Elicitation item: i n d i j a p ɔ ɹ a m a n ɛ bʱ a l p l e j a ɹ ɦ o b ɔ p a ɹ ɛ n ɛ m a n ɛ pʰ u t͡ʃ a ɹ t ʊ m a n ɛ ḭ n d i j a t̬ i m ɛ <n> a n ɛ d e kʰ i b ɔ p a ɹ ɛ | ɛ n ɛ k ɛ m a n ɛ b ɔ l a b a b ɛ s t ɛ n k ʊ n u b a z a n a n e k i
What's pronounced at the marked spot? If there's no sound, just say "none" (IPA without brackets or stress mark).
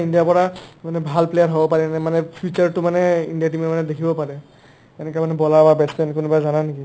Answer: m